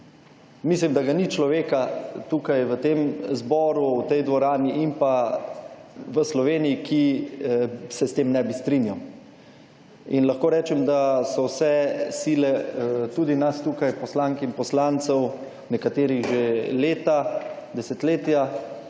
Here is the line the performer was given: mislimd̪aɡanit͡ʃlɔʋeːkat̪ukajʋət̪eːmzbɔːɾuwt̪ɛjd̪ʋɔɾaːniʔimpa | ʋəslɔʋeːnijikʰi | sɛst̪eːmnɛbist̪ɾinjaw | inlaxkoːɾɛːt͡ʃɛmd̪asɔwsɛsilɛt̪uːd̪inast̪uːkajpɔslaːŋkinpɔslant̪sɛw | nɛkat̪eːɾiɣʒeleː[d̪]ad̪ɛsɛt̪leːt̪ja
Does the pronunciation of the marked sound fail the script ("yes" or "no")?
yes